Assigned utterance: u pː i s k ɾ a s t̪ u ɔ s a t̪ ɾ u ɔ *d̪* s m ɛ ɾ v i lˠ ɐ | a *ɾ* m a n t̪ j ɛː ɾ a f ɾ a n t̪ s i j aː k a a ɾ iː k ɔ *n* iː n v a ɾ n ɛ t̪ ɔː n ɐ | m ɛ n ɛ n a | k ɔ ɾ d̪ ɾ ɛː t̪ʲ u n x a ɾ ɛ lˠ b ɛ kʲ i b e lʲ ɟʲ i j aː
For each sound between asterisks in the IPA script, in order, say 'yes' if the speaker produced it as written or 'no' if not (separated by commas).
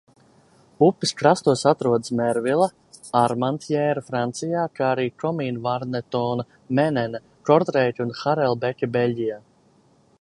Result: yes, yes, no